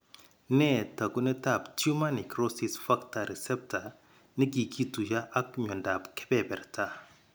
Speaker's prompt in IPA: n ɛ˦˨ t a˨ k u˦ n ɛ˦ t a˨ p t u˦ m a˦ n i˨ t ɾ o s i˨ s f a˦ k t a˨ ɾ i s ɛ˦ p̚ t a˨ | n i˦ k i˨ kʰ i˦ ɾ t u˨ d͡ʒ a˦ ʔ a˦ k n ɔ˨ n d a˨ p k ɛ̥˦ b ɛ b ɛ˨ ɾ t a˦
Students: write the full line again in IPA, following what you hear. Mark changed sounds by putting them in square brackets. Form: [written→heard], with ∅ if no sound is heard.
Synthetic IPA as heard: n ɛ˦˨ t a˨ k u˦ n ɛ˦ t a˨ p t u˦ m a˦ n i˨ [t→k] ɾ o s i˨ s f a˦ k t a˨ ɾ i s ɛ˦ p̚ t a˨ | n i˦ k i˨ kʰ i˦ [ɾ→∅] t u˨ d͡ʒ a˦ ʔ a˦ k [n→ɲ] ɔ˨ n d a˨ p k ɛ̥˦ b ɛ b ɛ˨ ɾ t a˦

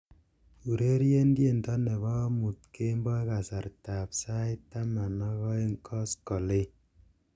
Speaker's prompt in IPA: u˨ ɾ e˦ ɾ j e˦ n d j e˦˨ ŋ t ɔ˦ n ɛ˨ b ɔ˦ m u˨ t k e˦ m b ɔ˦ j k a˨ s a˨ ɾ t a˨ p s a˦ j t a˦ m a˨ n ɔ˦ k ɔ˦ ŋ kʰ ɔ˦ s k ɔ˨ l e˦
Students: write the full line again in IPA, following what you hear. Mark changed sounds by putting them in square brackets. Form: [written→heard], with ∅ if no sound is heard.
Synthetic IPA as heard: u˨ ɾ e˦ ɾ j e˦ n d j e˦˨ [ŋ→n] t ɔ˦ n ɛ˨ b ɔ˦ m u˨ t k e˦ m b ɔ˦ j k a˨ s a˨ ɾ t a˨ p s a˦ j t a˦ m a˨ n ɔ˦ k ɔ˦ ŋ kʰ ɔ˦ s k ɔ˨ l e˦

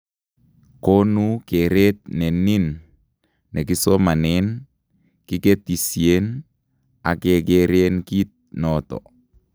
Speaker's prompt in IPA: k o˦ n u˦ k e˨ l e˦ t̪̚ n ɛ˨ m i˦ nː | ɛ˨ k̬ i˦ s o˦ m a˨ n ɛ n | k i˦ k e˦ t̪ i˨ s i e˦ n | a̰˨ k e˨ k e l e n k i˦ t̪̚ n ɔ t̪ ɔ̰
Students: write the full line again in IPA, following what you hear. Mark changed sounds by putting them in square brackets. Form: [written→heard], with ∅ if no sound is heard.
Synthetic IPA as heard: k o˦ n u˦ k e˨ [l→ɾ] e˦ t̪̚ n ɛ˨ [m→n] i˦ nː | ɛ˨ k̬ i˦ s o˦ m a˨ n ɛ n | k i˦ k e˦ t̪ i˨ s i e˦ n | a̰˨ k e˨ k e [l→ɾ] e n k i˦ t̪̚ n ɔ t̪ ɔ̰

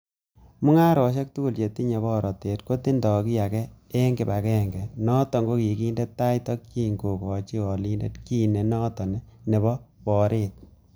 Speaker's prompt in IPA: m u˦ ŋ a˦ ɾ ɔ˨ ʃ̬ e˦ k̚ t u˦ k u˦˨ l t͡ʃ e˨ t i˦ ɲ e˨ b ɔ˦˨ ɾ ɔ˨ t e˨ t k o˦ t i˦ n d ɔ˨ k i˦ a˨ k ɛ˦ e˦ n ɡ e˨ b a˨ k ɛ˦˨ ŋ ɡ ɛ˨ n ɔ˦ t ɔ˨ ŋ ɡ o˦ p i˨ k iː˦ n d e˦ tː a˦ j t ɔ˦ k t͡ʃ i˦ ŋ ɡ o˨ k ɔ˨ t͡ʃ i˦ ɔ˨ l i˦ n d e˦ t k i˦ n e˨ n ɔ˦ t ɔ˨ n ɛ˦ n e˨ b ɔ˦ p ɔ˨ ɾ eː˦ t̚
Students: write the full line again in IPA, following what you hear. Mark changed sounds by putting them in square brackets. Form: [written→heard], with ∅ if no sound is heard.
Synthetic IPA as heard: m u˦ ŋ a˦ ɾ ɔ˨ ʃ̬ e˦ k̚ t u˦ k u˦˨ l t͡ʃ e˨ t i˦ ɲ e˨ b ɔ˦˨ ɾ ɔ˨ t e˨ t k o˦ t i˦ n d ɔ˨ k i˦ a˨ k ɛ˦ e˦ [n→ŋ] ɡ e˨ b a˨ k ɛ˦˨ ŋ ɡ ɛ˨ n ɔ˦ t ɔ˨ ŋ ɡ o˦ [p→k] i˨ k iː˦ n d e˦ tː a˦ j t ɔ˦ k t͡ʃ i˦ ŋ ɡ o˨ k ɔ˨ t͡ʃ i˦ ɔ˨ l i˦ n d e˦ t k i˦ n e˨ n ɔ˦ t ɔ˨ n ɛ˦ n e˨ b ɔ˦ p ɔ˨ ɾ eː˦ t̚

